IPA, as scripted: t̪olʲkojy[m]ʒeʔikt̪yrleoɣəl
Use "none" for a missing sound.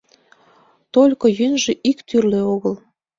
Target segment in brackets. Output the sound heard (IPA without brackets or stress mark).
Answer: n